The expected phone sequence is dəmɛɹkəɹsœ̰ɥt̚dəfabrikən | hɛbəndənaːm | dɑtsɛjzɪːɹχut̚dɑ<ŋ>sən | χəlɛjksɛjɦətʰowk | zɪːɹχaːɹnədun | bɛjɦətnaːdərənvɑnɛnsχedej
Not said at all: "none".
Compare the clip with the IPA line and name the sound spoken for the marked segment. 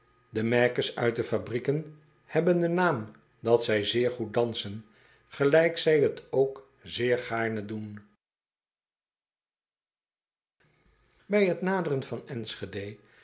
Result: n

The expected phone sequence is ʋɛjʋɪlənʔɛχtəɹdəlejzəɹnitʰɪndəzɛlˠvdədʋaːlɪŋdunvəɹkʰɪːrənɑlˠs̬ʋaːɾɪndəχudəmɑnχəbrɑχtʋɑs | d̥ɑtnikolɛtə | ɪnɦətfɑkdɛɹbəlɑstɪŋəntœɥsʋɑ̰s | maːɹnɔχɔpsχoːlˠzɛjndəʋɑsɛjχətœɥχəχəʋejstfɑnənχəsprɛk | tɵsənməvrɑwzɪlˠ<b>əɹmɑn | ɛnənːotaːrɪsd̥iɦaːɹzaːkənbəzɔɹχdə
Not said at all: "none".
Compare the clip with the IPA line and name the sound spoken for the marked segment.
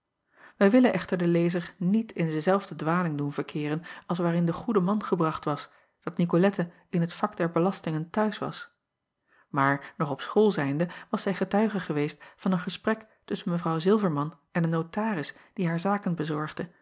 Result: v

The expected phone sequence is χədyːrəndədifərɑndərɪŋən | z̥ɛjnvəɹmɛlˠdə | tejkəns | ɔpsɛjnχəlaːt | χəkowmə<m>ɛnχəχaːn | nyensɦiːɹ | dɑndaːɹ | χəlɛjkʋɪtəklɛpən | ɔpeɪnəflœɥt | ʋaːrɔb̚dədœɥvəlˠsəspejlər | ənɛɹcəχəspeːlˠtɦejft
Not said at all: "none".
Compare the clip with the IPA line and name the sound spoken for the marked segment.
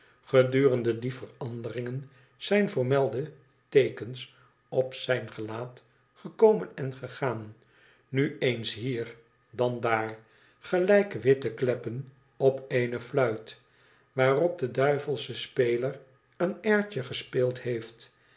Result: n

